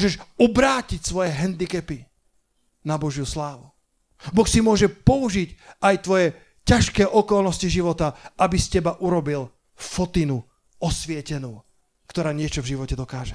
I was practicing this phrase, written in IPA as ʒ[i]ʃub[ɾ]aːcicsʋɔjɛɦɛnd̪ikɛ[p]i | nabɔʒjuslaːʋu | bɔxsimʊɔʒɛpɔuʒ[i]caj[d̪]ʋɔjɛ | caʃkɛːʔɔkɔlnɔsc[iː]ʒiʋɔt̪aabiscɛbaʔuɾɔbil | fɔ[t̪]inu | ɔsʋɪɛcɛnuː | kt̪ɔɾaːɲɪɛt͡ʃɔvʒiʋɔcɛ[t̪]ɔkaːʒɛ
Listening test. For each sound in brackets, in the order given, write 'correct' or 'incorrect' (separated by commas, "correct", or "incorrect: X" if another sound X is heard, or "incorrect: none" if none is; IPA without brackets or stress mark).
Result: incorrect: ɛ, correct, correct, correct, incorrect: t̪, incorrect: i, correct, incorrect: d̪